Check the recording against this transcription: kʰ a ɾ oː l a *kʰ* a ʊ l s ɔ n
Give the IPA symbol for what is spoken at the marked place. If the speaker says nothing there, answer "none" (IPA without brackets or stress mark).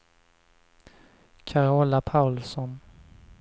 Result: pʰ